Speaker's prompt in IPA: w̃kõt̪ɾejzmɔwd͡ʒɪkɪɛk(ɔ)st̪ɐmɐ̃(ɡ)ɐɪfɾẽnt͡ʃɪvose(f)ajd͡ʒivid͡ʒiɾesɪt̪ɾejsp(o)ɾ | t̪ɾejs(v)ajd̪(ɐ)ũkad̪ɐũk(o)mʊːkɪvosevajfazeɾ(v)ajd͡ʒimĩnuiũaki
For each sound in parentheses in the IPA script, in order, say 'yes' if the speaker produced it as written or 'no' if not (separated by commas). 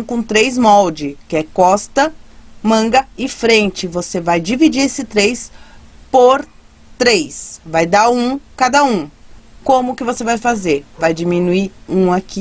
yes, yes, no, yes, yes, no, no, yes